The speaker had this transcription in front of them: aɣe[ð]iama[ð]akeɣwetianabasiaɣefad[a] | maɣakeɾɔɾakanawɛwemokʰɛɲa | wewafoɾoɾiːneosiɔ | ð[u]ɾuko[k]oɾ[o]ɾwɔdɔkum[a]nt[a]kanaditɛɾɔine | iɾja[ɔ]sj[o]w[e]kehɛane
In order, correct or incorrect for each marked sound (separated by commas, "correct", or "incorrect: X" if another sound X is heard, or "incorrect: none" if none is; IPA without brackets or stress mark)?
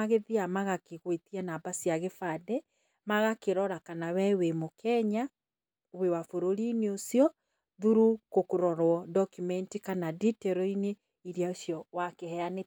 correct, incorrect: ɣ, incorrect: ɛ, correct, correct, incorrect: ɔ, incorrect: ɛ, incorrect: i, incorrect: o, incorrect: ɔ, incorrect: a